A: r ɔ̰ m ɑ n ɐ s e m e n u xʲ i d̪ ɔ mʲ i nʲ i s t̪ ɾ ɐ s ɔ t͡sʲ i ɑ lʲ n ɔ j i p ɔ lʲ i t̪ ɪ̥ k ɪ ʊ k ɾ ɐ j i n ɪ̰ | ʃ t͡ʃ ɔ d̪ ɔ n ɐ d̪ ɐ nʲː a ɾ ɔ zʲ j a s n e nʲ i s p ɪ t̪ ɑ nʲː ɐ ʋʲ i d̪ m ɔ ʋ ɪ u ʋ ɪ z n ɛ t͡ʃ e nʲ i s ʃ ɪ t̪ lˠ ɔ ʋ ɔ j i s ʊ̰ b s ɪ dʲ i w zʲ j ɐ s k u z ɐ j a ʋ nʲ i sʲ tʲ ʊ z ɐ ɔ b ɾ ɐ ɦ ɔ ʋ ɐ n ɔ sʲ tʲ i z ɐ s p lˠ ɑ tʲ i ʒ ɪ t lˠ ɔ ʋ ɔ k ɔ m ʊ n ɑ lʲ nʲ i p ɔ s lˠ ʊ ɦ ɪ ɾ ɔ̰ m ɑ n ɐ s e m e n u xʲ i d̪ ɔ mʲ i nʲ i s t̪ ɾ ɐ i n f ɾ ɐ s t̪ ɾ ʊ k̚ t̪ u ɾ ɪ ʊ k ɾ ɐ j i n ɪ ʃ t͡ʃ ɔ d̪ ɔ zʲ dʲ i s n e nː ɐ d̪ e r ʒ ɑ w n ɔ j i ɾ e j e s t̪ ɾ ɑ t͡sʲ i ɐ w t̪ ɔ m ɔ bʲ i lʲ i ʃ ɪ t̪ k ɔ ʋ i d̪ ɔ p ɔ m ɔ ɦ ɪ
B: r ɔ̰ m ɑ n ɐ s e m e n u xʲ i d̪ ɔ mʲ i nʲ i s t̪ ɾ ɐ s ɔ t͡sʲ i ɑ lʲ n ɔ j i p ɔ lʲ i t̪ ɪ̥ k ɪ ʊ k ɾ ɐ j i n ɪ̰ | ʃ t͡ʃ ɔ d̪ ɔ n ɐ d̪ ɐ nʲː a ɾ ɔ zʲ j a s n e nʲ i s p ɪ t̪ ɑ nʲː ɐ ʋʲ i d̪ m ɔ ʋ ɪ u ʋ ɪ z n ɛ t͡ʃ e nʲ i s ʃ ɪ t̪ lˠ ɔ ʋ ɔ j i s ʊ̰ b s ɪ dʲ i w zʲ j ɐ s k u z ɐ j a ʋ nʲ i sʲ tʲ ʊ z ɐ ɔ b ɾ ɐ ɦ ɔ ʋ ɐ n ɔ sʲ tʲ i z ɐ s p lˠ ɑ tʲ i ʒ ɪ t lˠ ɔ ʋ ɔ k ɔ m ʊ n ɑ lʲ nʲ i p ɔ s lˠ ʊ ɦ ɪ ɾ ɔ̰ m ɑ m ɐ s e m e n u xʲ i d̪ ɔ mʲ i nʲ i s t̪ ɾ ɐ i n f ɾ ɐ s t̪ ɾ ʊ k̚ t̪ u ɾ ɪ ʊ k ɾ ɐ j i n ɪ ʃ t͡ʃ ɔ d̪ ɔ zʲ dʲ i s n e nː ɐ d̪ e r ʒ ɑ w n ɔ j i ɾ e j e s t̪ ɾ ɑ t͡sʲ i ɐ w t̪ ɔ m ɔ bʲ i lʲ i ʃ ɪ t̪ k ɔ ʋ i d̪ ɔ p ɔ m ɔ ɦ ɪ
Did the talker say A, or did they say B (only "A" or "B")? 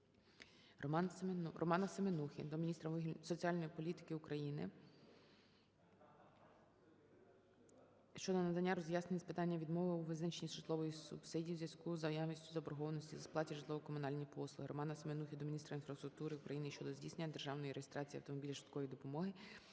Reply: A